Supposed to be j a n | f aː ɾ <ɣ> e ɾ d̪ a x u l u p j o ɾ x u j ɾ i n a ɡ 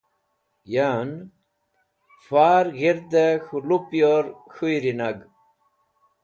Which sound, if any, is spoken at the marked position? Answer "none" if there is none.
ɣ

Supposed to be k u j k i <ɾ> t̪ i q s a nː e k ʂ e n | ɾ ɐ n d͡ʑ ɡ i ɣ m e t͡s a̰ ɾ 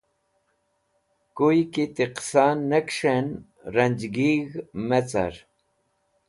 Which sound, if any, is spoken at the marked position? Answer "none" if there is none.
none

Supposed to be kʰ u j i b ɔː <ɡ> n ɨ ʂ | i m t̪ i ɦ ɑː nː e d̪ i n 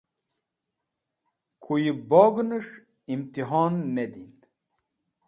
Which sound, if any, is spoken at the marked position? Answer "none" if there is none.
ɡ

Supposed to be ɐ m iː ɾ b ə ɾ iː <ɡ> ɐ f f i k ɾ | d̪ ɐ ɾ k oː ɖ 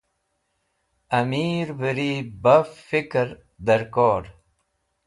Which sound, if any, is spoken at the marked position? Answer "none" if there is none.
b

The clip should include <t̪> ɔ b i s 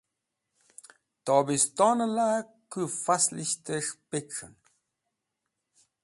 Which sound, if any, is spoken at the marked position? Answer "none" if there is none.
t̪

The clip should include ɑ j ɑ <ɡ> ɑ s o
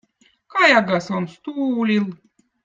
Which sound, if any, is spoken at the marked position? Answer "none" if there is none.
ɡ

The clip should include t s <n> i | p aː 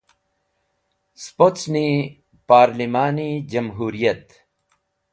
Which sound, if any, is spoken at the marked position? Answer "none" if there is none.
n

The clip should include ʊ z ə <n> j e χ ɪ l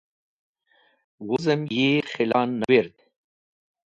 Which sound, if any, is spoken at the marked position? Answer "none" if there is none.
m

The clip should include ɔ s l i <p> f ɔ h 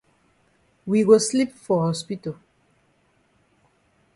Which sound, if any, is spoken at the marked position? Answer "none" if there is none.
p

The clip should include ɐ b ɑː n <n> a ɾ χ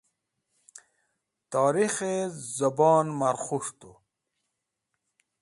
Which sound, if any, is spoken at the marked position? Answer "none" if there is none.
m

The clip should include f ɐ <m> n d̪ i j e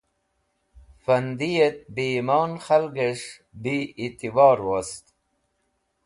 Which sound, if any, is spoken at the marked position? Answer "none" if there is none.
none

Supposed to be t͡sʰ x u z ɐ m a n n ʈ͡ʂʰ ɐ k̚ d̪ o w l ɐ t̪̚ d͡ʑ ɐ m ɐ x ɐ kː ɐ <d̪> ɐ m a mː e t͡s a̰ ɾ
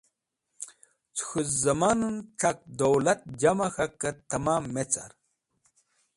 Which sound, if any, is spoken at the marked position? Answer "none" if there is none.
t̪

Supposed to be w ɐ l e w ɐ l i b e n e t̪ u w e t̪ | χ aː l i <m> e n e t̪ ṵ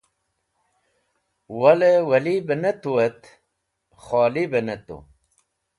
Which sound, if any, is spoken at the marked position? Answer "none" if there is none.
b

